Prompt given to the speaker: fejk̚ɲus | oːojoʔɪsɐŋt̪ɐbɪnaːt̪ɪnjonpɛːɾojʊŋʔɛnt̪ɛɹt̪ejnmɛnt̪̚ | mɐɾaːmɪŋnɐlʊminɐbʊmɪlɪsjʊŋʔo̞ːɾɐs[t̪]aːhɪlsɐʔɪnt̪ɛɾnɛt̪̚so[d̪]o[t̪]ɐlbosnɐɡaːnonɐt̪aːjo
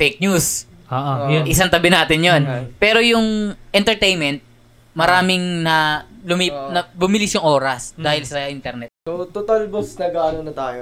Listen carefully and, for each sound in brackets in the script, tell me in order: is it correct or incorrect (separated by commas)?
incorrect, incorrect, correct